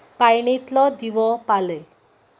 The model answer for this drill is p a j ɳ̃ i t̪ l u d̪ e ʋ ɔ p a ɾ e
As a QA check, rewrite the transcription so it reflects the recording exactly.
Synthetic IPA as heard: p a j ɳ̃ i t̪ l ɔ d̪ i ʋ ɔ p a l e